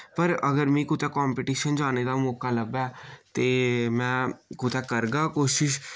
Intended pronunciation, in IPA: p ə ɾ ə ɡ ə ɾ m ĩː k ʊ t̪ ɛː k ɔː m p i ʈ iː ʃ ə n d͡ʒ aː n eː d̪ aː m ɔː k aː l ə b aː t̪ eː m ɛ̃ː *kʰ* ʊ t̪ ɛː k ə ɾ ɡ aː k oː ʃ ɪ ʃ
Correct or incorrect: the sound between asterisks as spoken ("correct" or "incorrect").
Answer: incorrect